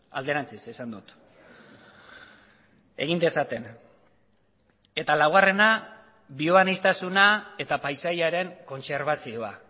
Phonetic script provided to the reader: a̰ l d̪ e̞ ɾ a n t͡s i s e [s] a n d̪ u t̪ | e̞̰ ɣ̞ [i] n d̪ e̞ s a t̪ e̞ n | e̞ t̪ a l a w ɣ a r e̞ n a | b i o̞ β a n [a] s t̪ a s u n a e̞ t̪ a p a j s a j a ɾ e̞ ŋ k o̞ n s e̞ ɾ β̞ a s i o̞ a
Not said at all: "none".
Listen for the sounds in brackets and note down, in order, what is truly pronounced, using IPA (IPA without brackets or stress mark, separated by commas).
s, i, i